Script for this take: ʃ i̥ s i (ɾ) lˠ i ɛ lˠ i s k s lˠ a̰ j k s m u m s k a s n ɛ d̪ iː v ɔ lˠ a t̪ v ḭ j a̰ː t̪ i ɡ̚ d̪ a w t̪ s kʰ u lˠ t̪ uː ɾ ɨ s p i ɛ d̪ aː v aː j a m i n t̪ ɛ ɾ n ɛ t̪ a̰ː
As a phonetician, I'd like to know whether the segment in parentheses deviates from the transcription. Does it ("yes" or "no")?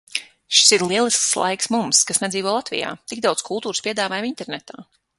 no